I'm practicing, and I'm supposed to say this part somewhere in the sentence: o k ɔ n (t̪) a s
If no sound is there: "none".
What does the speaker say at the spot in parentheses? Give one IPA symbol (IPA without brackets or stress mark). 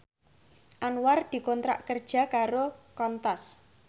t̪